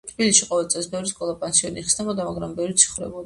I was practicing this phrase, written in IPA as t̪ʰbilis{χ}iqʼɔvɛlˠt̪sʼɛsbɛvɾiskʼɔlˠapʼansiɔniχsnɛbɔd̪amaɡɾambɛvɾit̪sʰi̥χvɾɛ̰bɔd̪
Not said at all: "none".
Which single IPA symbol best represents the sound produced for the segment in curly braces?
ʃ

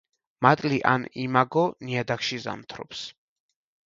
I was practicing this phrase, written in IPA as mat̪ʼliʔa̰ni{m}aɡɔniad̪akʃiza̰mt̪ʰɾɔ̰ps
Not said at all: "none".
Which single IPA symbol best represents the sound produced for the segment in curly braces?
m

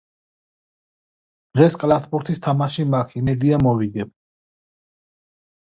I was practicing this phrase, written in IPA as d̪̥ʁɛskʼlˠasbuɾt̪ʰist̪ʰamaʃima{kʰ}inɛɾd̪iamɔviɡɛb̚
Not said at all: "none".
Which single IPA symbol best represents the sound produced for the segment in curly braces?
kʰ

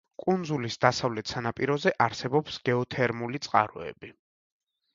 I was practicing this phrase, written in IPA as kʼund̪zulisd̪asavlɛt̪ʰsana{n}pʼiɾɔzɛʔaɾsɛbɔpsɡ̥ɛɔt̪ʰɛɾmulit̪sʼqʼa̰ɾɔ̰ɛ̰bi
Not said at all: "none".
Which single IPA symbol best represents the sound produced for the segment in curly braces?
none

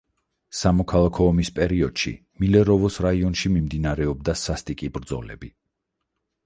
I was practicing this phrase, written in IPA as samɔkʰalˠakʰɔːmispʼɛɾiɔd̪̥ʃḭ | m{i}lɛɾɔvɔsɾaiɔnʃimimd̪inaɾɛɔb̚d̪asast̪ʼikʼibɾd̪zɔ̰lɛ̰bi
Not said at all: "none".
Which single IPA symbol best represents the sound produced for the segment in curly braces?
i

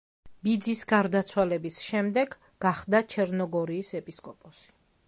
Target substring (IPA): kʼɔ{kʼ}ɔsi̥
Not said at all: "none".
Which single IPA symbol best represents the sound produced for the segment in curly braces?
pʼ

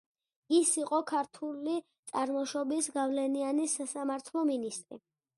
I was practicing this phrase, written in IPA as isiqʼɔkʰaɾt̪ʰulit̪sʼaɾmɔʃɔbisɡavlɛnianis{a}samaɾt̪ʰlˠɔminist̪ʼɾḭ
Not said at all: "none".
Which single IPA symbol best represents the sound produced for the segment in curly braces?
a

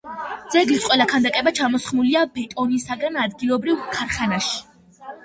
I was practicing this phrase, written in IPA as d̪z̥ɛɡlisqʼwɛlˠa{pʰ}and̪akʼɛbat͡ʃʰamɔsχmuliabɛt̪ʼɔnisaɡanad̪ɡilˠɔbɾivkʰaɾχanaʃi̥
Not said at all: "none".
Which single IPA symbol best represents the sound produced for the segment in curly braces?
kʰ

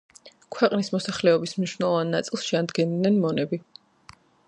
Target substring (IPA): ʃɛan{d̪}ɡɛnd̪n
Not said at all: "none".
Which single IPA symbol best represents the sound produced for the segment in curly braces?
d̪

